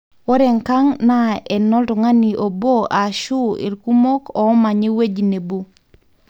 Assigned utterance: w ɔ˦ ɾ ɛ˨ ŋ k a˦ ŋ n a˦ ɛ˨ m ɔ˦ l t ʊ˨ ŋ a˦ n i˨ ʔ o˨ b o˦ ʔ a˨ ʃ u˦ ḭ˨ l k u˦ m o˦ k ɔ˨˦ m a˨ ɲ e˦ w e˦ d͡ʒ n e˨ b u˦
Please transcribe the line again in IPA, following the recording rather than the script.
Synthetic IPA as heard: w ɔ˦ ɾ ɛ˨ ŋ k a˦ ŋ n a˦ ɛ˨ n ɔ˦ l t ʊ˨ ŋ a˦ n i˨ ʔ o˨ b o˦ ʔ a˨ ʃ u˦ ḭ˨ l k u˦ m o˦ k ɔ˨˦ m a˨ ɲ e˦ w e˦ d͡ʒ n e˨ b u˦